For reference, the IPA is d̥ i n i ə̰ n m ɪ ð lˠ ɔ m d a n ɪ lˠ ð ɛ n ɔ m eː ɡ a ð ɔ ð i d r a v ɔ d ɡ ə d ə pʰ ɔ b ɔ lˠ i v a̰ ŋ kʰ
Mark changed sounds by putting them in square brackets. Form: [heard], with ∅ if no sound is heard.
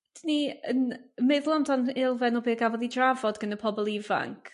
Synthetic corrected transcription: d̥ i n i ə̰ n m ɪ ð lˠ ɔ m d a n ɪ lˠ [v] ɛ n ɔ [b] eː ɡ a [v] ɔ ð i d r a v ɔ d ɡ ə [n] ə pʰ ɔ b ɔ lˠ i v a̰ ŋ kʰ

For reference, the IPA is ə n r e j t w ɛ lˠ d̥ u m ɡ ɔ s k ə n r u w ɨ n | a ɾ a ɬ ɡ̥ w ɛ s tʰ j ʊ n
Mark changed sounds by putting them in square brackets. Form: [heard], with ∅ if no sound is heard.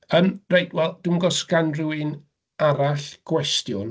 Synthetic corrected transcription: ə n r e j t w ɛ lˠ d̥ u m ɡ ɔ s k [a] n r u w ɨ n | a ɾ a ɬ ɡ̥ w ɛ s [t] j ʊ n

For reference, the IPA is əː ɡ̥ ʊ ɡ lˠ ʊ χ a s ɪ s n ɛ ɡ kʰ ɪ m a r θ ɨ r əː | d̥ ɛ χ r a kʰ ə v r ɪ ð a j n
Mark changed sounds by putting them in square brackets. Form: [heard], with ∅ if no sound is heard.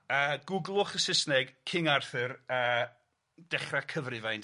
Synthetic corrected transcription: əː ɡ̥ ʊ ɡ lˠ ʊ χ [ə] s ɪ s n ɛ ɡ kʰ ɪ [ŋ] a r θ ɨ r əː | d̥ ɛ χ r a kʰ ə v r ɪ [v] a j n

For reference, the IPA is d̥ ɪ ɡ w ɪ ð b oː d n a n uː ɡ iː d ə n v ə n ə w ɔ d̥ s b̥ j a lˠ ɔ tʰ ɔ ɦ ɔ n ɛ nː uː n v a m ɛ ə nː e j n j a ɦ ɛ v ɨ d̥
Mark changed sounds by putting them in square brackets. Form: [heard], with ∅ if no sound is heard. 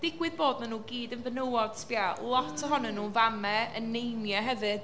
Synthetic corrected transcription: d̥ ɪ ɡ w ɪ ð b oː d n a n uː ɡ iː d ə n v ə n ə w ɔ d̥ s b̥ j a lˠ ɔ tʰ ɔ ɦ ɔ n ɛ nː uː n v a m ɛ ə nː e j n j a ɦ ɛ v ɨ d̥

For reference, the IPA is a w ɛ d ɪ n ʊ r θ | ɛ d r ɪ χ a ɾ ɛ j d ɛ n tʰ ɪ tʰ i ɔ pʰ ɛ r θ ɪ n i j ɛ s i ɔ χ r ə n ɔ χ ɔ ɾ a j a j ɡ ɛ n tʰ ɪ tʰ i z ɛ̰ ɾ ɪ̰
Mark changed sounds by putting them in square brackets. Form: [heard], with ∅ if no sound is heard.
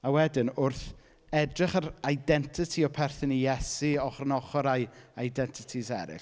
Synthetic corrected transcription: a w ɛ d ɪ n ʊ r θ | ɛ d r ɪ χ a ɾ [a] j d ɛ n tʰ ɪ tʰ i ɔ pʰ ɛ r θ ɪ n i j ɛ s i ɔ χ r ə n ɔ χ ɔ ɾ a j a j [d] ɛ n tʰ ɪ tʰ i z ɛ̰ ɾ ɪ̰

